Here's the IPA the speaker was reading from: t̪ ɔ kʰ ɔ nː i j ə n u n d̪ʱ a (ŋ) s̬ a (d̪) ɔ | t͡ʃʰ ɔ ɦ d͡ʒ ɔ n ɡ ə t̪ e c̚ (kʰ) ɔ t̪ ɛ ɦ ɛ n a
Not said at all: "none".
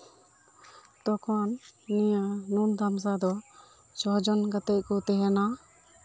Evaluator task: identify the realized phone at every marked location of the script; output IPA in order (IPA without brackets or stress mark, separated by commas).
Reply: m, d̪, k